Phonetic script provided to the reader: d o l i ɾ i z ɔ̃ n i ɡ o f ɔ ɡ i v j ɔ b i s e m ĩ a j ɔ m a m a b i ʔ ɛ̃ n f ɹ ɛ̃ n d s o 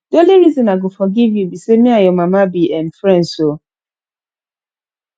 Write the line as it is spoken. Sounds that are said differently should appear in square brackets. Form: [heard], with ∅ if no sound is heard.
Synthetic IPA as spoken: d o l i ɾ i z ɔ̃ n [a] ɡ o f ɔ ɡ i v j [u] b i s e m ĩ a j ɔ m a m a b i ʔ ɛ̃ n f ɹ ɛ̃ n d s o